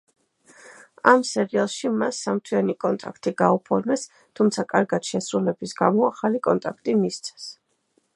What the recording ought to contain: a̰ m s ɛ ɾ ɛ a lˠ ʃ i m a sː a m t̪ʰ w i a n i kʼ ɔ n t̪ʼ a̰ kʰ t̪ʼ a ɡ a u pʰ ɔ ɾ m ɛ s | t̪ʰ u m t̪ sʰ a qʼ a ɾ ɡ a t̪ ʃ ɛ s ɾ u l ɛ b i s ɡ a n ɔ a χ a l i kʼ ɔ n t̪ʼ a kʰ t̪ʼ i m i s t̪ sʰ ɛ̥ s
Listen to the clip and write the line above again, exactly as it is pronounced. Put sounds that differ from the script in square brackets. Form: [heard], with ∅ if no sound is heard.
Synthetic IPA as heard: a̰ m s ɛ ɾ [i] a lˠ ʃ i m a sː a m t̪ʰ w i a n i kʼ ɔ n t̪ʼ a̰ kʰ t̪ʼ [i] ɡ a u pʰ ɔ ɾ m ɛ s | t̪ʰ u m t̪ sʰ a [kʼ] a ɾ ɡ a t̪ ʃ ɛ s ɾ u l ɛ b i s ɡ a [m] ɔ a χ a l i kʼ ɔ n t̪ʼ a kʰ t̪ʼ i m i s t̪ sʰ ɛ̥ s